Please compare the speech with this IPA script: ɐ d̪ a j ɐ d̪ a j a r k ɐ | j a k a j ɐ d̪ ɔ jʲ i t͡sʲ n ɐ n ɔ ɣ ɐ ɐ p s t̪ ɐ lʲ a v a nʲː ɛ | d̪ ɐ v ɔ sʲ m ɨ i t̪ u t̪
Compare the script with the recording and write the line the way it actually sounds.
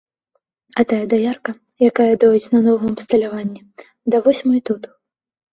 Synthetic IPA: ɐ t̪ a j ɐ d̪ a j a r k ɐ | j a k a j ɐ d̪ ɔ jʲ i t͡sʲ n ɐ n ɔ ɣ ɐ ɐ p s t̪ ɐ lʲ a v a nʲː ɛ | d̪ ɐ v ɔ sʲ m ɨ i t̪ u t̪